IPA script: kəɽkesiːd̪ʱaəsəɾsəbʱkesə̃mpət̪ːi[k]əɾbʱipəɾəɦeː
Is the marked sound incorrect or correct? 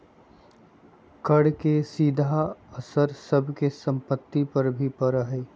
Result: incorrect